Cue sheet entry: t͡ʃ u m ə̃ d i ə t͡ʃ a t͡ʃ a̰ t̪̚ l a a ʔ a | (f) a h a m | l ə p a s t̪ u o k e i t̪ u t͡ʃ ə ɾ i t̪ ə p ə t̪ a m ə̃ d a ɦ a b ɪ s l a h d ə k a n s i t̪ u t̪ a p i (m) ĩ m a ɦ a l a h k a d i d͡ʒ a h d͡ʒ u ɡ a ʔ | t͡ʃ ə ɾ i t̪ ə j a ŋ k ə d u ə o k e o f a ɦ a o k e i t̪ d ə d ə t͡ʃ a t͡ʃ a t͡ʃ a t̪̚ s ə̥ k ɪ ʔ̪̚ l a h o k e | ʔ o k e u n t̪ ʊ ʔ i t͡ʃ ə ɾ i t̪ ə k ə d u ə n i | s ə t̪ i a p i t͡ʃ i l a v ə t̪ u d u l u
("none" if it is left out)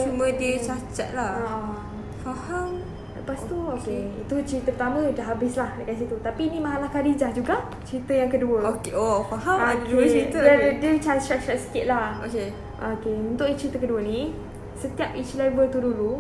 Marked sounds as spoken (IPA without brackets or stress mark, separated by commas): f, n